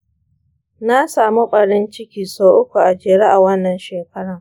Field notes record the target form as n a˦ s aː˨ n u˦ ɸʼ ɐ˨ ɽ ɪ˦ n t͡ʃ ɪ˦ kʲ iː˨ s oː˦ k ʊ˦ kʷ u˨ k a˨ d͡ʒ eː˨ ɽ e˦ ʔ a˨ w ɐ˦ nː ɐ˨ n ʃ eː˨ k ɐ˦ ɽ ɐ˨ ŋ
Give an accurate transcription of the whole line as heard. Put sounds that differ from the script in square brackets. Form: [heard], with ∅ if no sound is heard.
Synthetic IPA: n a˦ s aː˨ [m] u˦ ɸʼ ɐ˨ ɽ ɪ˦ n t͡ʃ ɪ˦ kʲ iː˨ s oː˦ [ʔ] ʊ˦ kʷ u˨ [ʔ] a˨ d͡ʒ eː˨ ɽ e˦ ʔ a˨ w ɐ˦ nː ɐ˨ n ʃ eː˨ k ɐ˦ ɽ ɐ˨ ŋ